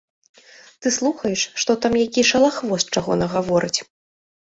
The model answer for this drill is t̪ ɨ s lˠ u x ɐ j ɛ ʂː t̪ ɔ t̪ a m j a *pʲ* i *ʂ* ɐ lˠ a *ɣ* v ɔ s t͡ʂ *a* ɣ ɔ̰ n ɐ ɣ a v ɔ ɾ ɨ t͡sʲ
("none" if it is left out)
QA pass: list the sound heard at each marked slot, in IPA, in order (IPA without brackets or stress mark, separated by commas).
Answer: kʲ, ʂ, x, a